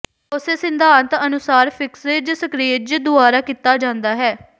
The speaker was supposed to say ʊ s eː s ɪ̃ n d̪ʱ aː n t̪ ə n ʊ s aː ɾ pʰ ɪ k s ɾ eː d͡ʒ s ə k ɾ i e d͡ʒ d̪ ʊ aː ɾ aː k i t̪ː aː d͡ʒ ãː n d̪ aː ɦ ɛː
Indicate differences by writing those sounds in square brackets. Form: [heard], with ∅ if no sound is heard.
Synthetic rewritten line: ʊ s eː s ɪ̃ n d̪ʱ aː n t̪ ə n ʊ s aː ɾ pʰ ɪ k s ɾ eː d͡ʒ s ə k ɾ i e d͡ʒ d̪ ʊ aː ɾ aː k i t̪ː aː d͡ʒ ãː n d̪ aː ɦ ɛː